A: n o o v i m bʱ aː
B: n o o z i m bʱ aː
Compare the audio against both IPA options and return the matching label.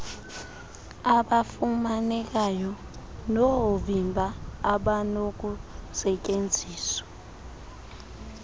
A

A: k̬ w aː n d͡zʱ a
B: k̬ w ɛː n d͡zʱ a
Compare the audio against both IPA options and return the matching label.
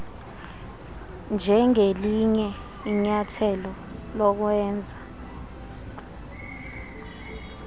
B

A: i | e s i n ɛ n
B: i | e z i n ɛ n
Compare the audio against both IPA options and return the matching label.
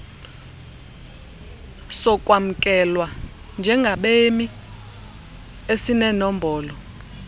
A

